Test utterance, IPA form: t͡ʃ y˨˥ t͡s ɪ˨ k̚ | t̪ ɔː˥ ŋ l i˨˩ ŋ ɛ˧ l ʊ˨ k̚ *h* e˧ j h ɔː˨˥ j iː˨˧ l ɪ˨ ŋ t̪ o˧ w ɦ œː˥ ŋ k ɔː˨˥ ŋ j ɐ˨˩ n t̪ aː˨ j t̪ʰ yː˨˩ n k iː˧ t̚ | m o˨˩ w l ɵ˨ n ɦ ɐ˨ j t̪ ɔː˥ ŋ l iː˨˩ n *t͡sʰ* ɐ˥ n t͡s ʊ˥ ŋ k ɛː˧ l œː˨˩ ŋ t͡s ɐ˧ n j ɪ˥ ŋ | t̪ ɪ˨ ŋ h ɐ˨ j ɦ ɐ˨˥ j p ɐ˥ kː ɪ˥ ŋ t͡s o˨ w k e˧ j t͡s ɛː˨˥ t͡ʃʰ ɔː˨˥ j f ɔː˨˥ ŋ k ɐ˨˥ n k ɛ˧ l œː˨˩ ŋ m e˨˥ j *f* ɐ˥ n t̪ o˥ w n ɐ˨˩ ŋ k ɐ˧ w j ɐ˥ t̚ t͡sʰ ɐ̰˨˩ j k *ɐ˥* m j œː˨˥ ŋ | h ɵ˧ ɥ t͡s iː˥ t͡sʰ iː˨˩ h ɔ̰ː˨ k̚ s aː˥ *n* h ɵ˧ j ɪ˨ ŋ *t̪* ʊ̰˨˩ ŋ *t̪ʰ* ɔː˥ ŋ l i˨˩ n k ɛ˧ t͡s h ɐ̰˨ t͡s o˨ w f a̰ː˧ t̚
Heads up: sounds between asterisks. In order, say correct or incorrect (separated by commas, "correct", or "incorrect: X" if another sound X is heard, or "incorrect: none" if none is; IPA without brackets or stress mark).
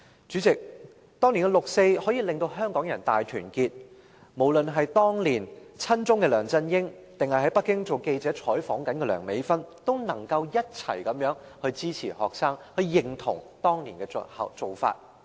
incorrect: s, correct, correct, incorrect: ɐ˨˥, incorrect: ŋ, incorrect: t̪ʰ, incorrect: t̪